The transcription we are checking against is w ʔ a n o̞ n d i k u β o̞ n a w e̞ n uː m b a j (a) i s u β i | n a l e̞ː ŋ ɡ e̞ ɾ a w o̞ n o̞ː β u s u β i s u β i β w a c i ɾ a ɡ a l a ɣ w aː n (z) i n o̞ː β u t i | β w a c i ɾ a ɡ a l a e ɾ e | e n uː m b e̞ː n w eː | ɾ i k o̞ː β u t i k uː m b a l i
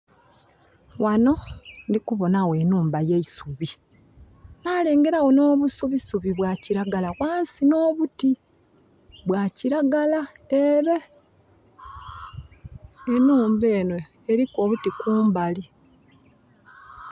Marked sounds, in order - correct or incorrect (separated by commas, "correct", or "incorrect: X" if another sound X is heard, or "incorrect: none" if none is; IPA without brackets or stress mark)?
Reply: incorrect: e, incorrect: s